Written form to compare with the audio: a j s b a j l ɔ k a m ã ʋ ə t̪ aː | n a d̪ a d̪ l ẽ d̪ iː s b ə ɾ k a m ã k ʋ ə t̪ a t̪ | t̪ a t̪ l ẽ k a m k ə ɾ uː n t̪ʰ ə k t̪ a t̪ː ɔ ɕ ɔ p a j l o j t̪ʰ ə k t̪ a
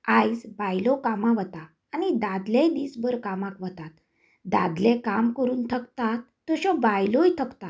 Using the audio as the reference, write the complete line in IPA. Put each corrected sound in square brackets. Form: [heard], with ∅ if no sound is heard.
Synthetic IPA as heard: a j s b a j l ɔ k a m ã ʋ ə t̪ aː | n [i] d̪ a d̪ l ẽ d̪ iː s b ə ɾ k a m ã k ʋ ə t̪ a t̪ | [d̪] a [d̪] l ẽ k a m k ə ɾ uː n t̪ʰ ə k t̪ a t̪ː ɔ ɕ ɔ [b] a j l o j t̪ʰ ə k t̪ a